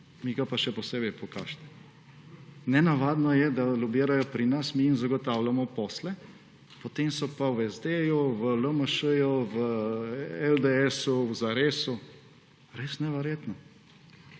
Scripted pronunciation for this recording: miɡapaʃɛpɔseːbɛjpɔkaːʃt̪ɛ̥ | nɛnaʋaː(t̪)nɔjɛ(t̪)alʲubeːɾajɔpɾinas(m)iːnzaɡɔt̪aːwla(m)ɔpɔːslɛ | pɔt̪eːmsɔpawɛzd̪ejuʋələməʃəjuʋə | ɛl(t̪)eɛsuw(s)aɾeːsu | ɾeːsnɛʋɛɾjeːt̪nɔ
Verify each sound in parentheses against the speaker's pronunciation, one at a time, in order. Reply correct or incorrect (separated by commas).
incorrect, incorrect, correct, correct, incorrect, incorrect